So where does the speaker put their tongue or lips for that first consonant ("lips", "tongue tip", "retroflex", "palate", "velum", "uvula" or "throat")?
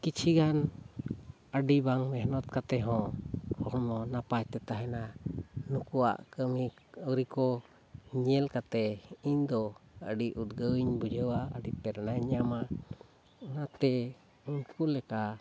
velum